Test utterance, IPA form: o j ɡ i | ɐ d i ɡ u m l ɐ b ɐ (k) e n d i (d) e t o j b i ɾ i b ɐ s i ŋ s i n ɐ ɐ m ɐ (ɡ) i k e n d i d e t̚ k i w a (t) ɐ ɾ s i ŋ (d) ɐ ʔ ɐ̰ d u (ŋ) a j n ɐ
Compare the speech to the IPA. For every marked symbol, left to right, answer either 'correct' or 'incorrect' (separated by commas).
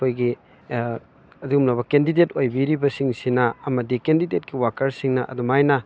correct, correct, incorrect, incorrect, incorrect, incorrect